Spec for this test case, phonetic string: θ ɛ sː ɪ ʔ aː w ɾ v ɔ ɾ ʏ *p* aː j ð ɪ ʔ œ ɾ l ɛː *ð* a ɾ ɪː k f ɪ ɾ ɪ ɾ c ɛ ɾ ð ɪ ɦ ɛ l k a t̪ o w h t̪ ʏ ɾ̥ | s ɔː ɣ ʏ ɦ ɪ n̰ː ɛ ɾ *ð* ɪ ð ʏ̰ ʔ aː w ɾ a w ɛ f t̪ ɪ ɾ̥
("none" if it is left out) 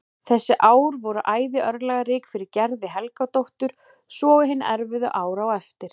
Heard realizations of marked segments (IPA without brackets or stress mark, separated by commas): ʔ, ɣ, v